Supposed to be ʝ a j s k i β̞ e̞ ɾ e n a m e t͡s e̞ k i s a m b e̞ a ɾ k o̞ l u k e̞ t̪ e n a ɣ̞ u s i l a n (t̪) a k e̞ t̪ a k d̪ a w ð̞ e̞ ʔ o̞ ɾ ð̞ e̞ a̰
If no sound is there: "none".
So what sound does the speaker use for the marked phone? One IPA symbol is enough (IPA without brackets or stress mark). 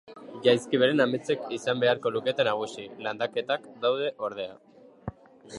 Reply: d̪